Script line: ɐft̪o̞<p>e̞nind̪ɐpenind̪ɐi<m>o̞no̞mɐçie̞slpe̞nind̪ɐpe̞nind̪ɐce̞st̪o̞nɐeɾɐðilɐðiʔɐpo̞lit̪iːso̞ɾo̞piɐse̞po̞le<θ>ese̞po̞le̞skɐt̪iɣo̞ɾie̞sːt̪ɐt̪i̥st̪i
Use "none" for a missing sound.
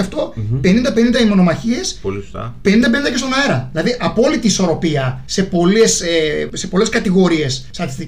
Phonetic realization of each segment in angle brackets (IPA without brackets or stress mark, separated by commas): p, m, s